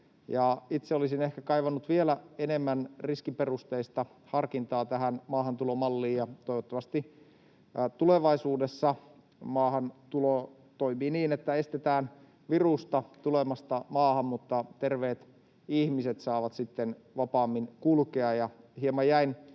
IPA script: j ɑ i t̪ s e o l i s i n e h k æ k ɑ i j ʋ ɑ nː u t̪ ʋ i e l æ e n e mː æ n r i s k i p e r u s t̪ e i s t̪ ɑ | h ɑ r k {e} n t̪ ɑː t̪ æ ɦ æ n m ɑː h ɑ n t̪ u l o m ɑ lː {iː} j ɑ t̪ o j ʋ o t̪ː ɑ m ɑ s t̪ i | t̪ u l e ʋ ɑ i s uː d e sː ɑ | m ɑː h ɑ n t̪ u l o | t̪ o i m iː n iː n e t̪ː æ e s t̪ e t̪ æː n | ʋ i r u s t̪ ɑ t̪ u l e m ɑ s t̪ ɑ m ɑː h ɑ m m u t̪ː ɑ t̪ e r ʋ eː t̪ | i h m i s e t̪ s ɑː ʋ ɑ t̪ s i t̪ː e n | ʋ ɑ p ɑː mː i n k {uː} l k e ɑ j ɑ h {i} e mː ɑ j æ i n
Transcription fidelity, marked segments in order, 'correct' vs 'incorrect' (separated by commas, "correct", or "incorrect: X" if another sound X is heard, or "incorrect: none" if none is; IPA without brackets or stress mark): incorrect: i, correct, incorrect: u, correct